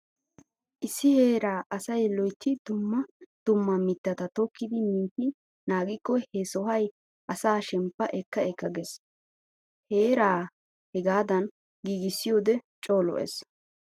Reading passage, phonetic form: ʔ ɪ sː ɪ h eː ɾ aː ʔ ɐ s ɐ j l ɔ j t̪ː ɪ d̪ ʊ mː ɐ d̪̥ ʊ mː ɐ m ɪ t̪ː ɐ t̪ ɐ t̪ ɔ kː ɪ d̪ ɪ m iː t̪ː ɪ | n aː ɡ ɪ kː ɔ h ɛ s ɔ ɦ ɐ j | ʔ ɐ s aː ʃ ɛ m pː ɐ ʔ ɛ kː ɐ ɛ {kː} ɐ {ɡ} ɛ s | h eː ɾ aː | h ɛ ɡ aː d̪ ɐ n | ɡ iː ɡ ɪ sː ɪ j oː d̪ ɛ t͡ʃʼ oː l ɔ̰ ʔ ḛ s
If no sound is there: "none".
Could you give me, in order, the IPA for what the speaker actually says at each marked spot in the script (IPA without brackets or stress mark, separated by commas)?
kː, ɡ